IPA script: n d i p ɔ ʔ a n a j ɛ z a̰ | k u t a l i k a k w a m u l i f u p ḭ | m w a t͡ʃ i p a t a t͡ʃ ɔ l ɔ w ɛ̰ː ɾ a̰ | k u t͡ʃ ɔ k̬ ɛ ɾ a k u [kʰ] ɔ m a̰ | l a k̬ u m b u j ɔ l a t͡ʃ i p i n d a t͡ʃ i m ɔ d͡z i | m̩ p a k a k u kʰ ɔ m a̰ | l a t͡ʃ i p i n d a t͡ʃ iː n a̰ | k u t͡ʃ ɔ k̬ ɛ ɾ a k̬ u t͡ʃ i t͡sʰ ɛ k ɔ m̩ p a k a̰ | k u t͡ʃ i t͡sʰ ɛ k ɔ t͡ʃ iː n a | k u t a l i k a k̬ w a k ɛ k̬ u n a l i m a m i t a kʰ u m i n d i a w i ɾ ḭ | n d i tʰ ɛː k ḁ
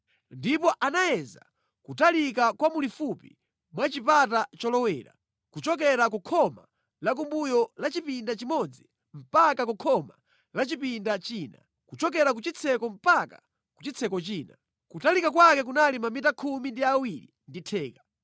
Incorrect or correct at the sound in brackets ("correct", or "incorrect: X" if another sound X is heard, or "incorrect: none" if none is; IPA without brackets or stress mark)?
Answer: correct